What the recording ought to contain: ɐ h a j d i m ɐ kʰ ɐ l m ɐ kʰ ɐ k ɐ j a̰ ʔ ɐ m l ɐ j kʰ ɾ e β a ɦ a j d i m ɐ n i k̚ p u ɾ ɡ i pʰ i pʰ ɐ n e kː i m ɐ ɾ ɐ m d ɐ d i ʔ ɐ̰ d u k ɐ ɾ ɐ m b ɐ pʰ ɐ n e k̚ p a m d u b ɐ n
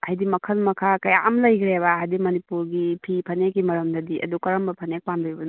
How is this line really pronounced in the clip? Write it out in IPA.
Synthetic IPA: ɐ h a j d i m ɐ kʰ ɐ l m ɐ kʰ a k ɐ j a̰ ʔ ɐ m l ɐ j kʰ ɾ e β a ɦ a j d i m ɐ n i p u ɾ ɡ i pʰ i pʰ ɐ n e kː i m ɐ ɾ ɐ m d ɐ d i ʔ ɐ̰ d u k ɐ ɾ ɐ m b ɐ pʰ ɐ n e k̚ p a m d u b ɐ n